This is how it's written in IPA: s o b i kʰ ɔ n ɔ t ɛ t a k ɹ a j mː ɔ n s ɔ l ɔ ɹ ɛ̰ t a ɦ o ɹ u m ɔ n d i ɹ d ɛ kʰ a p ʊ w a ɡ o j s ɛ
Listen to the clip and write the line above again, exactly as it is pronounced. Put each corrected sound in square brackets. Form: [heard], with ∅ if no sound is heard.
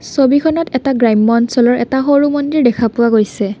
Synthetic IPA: s o b i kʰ ɔ n ɔ t ɛ t a [ɡ] ɹ a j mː ɔ n s ɔ l ɔ ɹ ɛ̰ t a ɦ o ɹ u m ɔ n d i ɹ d ɛ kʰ a p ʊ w a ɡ o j s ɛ